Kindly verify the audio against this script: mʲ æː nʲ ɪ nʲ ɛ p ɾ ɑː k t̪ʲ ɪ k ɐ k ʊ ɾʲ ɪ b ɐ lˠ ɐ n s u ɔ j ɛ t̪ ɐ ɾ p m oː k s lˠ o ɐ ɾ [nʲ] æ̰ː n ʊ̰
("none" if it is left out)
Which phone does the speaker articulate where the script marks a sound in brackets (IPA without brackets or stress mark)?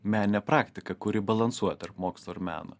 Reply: mʲ